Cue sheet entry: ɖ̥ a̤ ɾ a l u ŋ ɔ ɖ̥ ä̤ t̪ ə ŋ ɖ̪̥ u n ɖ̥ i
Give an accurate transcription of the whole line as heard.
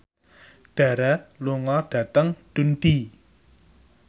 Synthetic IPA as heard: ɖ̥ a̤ ɾ a l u ŋ ɔ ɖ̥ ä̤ t̪ ə ŋ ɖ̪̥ u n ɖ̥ i